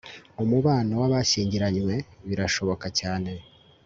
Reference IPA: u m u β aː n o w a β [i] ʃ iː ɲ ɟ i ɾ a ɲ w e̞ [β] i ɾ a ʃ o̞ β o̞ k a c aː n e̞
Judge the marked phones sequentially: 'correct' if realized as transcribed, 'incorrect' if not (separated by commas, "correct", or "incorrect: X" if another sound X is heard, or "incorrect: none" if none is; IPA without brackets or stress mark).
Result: incorrect: a, correct